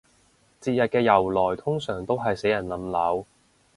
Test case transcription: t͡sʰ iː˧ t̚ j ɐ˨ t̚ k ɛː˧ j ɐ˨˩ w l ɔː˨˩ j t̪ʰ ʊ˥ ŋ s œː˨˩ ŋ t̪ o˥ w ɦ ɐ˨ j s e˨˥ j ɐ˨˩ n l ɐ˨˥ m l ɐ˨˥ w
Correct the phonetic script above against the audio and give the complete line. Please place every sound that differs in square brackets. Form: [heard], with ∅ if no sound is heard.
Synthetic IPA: [t͡s] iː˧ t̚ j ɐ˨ t̚ k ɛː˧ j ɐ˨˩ w l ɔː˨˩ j t̪ʰ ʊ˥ ŋ s œː˨˩ ŋ t̪ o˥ w ɦ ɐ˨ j s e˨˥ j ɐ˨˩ n l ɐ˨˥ m l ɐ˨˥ w